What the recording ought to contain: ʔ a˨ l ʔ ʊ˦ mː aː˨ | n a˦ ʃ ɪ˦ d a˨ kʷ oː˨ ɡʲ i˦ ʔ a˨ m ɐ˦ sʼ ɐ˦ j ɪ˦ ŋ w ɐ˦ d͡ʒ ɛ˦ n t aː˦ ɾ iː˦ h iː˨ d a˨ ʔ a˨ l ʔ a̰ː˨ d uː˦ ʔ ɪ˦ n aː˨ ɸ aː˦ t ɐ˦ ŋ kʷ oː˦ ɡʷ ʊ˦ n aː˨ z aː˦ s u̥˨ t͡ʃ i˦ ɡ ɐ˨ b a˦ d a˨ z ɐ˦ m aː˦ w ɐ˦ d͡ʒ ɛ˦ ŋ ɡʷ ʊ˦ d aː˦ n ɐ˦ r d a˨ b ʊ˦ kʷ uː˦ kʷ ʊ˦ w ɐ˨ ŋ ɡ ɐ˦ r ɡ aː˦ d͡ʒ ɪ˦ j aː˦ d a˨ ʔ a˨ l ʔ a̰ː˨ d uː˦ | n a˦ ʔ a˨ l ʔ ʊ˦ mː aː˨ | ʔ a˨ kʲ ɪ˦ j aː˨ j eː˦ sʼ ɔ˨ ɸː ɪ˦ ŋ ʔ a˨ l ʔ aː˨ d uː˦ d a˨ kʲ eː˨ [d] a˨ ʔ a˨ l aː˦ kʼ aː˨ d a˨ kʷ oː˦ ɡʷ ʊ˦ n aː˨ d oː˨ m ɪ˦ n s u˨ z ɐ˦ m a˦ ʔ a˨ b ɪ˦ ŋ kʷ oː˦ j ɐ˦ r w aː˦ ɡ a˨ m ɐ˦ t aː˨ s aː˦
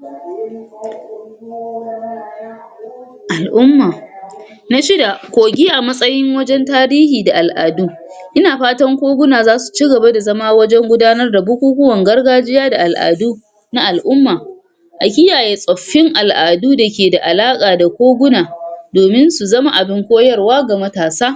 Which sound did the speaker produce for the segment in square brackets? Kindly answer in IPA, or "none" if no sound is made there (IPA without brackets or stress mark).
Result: d